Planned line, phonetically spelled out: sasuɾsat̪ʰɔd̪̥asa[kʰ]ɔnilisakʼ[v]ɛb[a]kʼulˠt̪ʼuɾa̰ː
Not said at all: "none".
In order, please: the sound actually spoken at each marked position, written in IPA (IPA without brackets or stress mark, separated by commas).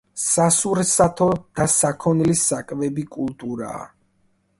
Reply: kʰ, v, i